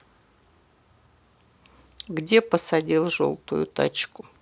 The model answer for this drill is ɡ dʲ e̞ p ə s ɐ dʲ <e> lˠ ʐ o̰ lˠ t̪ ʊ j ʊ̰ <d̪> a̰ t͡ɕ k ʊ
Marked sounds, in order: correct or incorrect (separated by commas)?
incorrect, incorrect